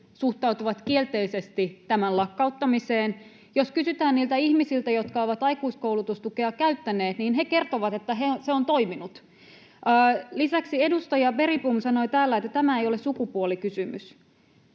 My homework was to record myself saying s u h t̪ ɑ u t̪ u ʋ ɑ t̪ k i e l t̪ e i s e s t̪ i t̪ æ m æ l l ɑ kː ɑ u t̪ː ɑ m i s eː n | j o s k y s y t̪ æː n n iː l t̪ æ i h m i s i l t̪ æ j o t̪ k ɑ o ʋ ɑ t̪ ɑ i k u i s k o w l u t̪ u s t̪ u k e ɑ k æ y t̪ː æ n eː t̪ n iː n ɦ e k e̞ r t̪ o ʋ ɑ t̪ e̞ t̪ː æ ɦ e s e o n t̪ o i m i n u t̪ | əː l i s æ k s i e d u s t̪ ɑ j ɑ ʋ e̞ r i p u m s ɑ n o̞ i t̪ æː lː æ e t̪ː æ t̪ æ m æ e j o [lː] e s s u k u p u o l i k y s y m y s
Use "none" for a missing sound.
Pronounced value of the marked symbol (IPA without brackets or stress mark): l